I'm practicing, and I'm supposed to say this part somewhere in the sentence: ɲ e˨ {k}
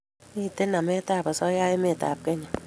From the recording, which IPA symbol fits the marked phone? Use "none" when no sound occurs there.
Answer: none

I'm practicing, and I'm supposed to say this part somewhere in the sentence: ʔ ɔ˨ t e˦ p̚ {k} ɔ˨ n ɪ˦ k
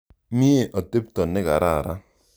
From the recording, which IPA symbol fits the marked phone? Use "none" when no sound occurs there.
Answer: t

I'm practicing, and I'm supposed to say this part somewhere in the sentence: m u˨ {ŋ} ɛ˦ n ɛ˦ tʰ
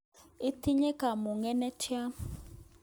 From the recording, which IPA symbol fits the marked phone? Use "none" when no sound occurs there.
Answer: ŋ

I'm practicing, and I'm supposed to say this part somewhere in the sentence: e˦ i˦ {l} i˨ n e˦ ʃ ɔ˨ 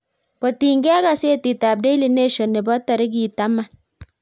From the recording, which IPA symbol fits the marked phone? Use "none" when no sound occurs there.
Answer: l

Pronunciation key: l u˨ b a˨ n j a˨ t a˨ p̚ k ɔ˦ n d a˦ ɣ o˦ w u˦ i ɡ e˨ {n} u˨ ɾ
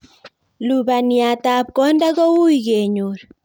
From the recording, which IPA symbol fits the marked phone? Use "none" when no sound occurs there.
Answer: ɲ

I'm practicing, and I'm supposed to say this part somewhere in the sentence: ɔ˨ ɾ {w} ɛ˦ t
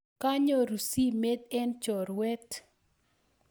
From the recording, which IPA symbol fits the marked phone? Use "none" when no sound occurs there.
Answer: w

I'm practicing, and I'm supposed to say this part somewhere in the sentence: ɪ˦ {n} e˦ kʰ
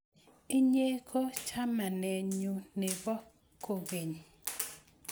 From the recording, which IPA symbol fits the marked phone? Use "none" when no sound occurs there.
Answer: ɲ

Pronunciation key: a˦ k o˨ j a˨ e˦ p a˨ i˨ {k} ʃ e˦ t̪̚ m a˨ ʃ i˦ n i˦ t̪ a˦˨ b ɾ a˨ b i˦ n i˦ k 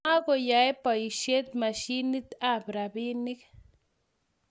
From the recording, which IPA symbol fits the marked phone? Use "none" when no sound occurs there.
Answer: none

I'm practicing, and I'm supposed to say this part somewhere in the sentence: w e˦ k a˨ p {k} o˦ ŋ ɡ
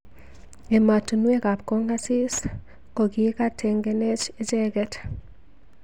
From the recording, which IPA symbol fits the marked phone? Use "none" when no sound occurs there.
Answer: k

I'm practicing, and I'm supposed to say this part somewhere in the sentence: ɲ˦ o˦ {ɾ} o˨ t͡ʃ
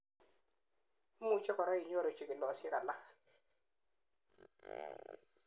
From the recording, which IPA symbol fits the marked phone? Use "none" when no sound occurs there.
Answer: ɾ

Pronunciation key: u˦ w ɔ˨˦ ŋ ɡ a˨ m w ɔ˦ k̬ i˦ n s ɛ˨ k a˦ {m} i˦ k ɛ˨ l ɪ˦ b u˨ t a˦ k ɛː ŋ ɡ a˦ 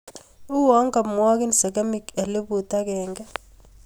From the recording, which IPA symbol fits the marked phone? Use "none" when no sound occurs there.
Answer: m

